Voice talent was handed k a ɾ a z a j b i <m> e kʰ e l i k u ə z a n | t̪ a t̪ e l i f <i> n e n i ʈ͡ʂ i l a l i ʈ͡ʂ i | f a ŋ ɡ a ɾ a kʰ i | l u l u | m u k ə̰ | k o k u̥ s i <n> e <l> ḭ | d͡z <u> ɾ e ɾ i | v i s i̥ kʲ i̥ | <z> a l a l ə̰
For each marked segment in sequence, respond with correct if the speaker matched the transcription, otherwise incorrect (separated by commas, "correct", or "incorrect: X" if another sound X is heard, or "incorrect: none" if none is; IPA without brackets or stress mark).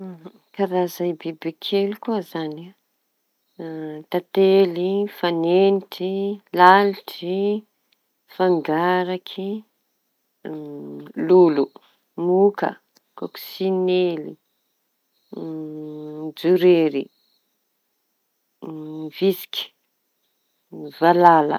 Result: incorrect: b, incorrect: a, correct, correct, correct, incorrect: v